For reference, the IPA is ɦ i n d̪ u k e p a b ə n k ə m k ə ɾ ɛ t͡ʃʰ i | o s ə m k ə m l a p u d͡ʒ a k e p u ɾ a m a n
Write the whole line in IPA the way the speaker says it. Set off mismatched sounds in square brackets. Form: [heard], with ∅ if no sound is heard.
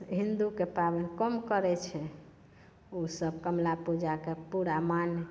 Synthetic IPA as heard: ɦ i n d̪ u k e p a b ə n k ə m k ə ɾ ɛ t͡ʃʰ [ɛ] | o s ə [b] k ə m l a p u d͡ʒ a k e p u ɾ a m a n